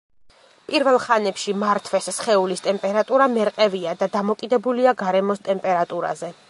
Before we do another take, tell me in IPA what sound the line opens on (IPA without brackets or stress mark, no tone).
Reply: pʼ